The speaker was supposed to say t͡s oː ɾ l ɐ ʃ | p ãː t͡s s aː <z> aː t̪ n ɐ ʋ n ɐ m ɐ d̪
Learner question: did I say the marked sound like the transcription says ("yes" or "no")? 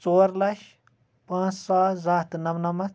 yes